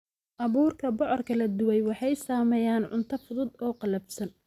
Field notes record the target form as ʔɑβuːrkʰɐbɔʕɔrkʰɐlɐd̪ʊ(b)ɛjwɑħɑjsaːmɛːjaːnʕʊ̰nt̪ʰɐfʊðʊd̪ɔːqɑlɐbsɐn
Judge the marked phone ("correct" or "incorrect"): incorrect